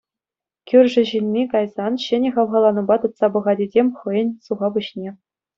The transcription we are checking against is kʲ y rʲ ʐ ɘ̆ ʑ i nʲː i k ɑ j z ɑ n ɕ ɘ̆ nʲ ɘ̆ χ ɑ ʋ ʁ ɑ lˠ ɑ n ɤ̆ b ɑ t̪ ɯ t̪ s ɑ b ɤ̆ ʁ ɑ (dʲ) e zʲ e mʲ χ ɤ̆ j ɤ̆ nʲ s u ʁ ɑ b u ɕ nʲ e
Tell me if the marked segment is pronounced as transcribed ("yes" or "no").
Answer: yes